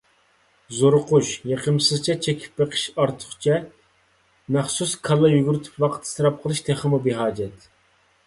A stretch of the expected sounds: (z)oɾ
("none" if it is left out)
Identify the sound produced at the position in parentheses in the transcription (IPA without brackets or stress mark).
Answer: z